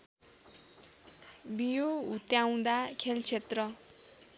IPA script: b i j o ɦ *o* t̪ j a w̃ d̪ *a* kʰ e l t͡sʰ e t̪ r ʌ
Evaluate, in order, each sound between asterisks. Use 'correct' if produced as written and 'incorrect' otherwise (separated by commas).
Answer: incorrect, correct